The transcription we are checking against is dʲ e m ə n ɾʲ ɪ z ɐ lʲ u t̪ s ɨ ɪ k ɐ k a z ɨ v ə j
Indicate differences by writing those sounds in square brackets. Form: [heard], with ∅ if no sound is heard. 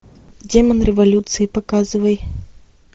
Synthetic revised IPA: dʲ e m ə n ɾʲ ɪ [v] ɐ lʲ u t̪ s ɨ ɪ [p] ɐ k a z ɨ v ə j